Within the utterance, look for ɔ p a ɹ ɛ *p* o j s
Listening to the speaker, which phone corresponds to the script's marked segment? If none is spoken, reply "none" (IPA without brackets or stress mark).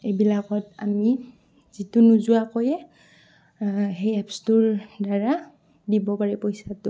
p